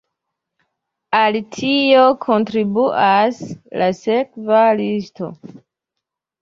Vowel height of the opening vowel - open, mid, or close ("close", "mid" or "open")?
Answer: open